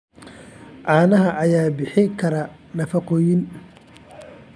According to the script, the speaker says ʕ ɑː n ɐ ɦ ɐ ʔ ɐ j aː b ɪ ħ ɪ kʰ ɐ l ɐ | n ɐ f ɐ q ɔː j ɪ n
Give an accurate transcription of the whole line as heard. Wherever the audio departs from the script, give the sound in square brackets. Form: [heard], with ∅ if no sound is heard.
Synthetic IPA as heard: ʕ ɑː n ɐ ɦ ɐ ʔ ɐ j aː b ɪ ħ ɪ kʰ ɐ [ɾ] ɐ | n ɐ f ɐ q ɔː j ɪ n